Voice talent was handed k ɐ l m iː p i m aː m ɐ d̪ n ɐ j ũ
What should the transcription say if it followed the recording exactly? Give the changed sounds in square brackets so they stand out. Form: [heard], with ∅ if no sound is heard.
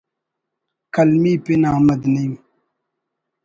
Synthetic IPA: k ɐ l m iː p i [n] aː m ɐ d̪ n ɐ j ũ